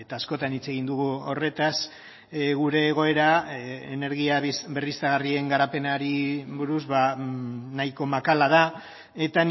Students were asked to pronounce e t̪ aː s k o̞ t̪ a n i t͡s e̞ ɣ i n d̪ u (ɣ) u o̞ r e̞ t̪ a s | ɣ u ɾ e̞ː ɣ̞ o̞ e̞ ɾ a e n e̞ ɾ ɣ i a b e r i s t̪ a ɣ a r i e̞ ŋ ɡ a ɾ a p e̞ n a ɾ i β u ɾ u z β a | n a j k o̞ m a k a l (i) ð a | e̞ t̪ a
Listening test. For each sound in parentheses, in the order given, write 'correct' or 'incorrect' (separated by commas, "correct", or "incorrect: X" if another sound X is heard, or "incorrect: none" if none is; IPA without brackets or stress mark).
correct, incorrect: a